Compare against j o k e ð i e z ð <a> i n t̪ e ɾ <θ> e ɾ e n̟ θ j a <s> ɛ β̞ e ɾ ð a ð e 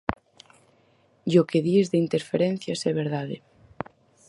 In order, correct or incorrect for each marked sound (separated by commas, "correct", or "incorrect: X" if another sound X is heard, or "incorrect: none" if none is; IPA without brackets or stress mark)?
incorrect: e, incorrect: f, correct